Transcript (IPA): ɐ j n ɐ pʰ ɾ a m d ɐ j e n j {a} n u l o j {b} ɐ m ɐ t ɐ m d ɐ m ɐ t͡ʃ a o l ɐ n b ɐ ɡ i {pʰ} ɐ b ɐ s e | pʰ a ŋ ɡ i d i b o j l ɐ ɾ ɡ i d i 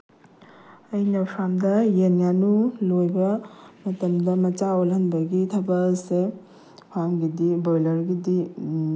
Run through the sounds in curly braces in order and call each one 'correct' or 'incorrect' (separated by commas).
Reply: correct, correct, incorrect